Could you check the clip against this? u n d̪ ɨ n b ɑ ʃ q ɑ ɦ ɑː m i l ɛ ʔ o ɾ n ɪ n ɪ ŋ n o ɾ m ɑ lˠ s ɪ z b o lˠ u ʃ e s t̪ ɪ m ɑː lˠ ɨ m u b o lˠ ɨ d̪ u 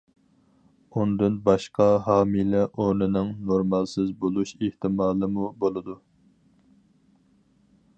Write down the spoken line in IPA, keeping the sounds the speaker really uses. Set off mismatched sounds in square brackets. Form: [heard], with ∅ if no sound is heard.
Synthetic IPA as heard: u n d̪ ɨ n b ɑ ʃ q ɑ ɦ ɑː m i l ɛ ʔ o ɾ n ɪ n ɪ ŋ n o ɾ m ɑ lˠ s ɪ z b o lˠ u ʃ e [h] t̪ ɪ m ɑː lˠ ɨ m u b o lˠ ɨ d̪ u